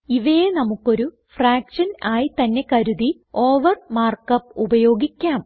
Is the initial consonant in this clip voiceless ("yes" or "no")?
no